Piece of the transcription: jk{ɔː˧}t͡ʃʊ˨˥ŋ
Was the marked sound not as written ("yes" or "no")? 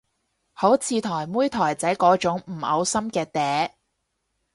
yes